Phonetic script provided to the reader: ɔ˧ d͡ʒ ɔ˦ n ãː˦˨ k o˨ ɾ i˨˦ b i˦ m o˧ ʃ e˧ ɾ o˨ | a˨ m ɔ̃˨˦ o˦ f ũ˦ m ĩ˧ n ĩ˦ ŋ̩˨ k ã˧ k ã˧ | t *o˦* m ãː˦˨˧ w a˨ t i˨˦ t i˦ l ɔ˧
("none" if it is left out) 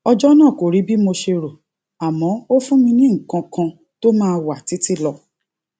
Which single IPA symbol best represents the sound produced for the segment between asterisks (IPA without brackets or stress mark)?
o˦